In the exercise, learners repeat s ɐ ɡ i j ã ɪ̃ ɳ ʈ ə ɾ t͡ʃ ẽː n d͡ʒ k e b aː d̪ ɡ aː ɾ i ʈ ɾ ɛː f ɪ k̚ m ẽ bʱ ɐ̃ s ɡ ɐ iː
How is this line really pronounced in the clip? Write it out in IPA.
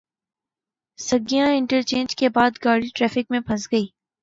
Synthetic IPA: s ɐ ɡ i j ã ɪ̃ ɳ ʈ ə ɾ t͡ʃ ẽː n d͡ʒ k e b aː d̪ ɡ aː ɽ i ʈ ɾ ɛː f ɪ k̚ m ẽ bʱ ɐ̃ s ɡ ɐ iː